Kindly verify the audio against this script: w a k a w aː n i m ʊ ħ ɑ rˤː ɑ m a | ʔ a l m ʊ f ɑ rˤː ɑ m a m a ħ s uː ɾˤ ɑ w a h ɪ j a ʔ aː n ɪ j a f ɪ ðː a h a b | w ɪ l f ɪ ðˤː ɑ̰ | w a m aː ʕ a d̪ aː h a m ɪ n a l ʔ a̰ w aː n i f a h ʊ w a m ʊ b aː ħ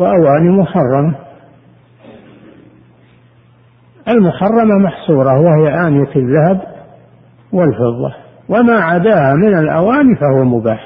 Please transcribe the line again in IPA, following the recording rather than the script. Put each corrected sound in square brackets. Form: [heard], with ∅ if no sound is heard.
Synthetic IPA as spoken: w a [ʔ] a w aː n i m ʊ ħ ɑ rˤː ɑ m a | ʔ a l m ʊ [ħ] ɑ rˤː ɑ m a m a ħ s uː ɾˤ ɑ w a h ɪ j a ʔ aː n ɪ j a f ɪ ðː a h a b | w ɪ l f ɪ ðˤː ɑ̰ | w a m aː ʕ a d̪ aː h a m ɪ n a l ʔ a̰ w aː n i f a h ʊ w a m ʊ b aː ħ